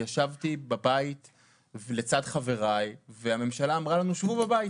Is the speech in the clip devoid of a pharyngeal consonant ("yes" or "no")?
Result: yes